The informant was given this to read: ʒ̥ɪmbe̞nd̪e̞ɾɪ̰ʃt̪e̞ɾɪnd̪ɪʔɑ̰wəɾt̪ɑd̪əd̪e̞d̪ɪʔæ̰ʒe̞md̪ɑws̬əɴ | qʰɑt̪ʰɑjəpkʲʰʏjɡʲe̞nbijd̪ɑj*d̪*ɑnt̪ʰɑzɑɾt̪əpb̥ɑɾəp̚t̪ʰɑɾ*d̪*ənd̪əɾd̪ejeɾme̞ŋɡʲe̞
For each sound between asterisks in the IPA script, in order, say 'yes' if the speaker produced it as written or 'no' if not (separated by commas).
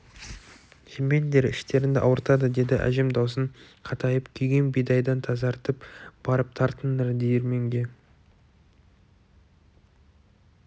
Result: yes, no